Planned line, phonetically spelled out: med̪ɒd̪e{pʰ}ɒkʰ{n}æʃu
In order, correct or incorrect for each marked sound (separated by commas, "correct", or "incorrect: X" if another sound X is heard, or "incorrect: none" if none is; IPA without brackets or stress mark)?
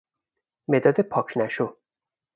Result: correct, correct